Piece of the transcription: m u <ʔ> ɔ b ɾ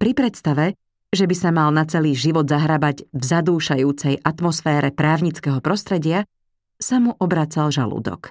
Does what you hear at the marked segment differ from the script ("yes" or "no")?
no